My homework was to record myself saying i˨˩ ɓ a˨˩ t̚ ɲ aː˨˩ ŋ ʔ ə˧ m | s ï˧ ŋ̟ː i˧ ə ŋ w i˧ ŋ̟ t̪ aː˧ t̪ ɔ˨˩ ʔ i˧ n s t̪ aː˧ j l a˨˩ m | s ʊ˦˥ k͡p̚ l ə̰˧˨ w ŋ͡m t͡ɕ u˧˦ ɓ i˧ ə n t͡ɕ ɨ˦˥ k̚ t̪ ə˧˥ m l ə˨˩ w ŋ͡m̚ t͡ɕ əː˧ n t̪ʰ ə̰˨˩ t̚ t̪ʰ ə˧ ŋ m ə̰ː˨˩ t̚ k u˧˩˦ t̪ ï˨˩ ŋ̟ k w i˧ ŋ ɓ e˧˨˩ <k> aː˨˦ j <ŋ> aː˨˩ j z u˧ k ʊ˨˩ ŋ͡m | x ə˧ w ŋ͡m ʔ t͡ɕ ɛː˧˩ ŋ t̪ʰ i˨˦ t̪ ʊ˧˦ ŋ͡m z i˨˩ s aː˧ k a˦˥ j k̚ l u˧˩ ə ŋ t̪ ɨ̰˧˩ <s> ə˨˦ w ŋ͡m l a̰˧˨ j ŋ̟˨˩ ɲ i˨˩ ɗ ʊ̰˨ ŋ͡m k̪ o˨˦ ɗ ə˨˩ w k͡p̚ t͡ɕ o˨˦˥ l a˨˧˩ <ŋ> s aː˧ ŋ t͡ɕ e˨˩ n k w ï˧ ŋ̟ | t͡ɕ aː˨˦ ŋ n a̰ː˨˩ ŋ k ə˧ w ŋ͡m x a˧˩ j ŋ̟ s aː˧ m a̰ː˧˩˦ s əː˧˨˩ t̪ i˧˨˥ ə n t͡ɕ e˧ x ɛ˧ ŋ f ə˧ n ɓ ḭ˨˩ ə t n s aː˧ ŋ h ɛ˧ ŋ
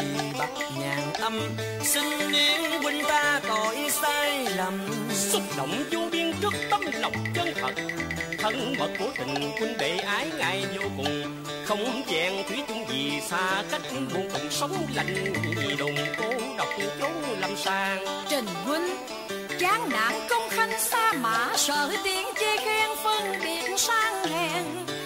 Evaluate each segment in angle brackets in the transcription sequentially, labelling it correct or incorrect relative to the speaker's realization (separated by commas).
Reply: incorrect, correct, correct, incorrect